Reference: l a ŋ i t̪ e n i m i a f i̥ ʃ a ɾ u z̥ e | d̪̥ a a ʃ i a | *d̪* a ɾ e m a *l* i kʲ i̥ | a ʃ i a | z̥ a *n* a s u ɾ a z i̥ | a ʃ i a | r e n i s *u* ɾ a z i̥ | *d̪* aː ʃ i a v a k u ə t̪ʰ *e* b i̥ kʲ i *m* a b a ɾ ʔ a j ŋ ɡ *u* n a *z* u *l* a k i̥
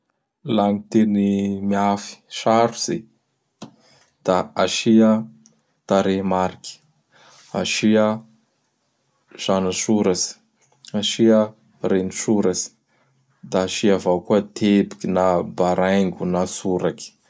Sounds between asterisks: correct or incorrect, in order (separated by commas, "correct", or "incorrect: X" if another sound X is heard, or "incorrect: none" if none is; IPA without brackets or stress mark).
incorrect: t̪, incorrect: ɾ, correct, correct, correct, correct, incorrect: n, correct, incorrect: s, incorrect: ɾ